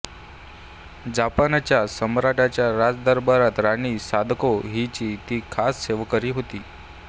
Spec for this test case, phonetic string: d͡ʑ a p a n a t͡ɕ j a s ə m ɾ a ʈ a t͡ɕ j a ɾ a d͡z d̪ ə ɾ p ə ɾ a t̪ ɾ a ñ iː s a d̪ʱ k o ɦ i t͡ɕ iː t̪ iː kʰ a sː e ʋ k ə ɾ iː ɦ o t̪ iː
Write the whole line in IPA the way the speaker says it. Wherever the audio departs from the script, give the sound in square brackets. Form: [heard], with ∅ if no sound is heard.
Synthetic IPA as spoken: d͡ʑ a p a n a t͡ɕ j a s ə m ɾ a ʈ a t͡ɕ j a ɾ a d͡z d̪ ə ɾ [b] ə ɾ a t̪ ɾ a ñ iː s a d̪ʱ k o ɦ i t͡ɕ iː t̪ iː kʰ a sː e ʋ k ə ɾ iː ɦ o t̪ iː